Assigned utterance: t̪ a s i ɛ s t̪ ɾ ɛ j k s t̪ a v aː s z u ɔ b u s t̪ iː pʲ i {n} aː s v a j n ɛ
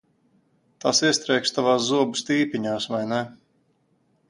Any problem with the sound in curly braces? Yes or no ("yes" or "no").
yes